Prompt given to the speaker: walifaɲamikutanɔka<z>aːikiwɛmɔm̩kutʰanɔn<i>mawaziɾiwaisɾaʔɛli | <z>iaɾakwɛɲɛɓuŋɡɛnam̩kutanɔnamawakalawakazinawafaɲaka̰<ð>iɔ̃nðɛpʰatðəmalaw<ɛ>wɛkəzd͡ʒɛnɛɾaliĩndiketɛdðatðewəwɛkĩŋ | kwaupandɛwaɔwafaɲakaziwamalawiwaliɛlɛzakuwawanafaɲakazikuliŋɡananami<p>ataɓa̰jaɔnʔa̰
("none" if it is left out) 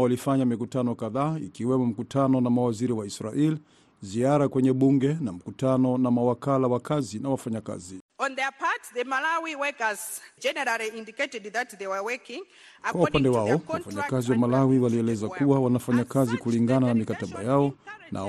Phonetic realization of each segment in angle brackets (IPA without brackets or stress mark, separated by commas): ð, a, z, z, i, k